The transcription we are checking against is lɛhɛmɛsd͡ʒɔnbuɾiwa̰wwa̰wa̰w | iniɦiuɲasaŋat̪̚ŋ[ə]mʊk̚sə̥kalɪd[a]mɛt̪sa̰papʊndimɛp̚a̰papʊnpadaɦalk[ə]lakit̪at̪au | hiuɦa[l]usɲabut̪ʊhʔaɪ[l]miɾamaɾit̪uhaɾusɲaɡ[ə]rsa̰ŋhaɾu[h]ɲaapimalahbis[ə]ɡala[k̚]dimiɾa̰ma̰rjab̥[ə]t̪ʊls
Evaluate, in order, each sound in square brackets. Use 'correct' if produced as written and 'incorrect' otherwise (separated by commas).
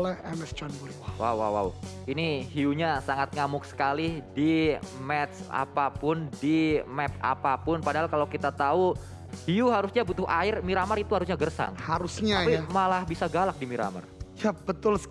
incorrect, incorrect, incorrect, incorrect, incorrect, correct, incorrect, incorrect, correct, correct